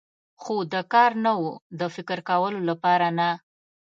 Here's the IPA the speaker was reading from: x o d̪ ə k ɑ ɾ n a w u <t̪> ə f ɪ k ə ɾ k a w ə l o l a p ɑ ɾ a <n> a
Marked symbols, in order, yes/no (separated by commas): no, yes